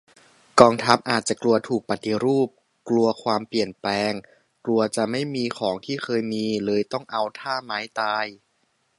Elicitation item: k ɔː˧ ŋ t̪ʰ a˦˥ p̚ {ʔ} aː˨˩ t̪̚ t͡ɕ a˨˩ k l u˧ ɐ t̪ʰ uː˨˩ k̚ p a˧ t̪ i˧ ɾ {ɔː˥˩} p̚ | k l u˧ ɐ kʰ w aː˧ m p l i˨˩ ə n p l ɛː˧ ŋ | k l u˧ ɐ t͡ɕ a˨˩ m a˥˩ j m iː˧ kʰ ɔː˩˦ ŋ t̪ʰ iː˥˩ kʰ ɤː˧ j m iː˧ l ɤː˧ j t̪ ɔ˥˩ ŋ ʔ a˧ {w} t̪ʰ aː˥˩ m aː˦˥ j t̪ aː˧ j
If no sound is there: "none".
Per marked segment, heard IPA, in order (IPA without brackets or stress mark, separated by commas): ʔ, uː˥˩, w